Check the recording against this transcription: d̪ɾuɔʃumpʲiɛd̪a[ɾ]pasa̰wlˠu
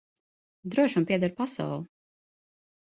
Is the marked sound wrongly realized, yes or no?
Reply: no